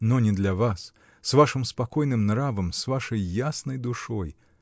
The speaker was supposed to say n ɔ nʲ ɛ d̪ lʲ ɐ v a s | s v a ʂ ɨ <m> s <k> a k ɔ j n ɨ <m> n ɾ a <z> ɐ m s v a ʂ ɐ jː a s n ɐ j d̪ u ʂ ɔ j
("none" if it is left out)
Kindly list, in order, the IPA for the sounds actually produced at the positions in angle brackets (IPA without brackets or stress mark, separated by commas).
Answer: m, p, m, v